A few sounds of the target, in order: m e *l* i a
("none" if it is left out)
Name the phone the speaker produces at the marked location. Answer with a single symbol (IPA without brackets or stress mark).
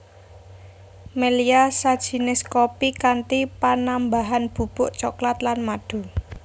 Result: l